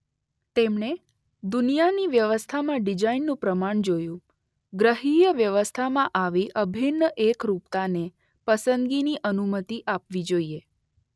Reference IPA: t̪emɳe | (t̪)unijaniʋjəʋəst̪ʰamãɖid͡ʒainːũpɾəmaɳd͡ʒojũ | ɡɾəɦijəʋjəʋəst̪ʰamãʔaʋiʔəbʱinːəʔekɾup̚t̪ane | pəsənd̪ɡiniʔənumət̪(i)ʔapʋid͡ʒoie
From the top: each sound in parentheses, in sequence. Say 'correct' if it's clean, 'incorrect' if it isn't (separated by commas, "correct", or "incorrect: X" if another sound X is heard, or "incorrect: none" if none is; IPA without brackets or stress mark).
incorrect: d̪, correct